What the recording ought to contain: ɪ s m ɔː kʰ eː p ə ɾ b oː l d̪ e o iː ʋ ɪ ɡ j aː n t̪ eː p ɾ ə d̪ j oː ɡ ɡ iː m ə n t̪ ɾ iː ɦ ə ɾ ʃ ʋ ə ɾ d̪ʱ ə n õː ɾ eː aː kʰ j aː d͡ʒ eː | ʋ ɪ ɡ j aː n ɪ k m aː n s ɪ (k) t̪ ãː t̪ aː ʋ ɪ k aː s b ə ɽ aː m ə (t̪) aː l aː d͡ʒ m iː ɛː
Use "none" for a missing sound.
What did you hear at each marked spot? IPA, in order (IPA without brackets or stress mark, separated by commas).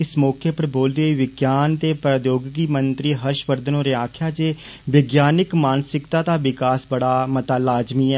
k, t̪